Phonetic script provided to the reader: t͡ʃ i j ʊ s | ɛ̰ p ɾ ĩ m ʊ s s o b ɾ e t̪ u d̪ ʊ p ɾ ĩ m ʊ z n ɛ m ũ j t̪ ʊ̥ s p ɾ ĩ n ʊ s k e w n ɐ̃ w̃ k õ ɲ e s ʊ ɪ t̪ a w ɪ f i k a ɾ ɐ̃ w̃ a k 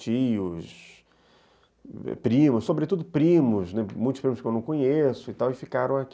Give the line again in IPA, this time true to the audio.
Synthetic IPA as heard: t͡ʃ i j ʊ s | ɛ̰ p ɾ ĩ m ʊ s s o b ɾ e t̪ u d̪ ʊ p ɾ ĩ m ʊ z n ɛ m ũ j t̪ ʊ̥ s p ɾ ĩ m ʊ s k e w n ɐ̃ w̃ k õ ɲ e s ʊ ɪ t̪ a w ɪ f i k a ɾ ɐ̃ w̃ a k